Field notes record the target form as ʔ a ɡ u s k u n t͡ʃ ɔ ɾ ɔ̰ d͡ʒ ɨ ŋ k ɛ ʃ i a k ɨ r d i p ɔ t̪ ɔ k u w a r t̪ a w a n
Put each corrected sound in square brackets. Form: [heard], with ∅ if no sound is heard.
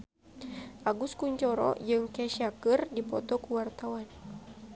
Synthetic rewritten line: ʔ a ɡ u s k u [ɲ] t͡ʃ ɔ ɾ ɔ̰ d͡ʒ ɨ ŋ k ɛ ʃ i a k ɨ r d i p ɔ t̪ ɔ k u w a r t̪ a w a n